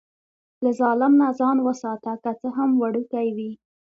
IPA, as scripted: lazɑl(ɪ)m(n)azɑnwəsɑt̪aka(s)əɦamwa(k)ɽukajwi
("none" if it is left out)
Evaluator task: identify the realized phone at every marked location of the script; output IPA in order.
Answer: ɪ, n, t͡s, none

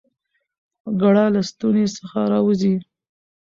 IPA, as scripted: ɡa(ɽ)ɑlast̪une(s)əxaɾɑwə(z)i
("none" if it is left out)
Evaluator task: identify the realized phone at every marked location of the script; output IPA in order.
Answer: ɽ, s, z

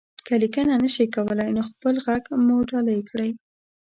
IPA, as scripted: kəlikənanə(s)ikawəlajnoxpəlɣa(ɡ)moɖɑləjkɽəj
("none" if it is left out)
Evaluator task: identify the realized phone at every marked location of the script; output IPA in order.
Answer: ʃ, ɡ

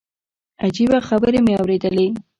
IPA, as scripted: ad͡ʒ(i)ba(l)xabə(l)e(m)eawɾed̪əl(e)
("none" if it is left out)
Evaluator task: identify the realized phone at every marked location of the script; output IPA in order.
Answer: i, none, ɾ, m, e

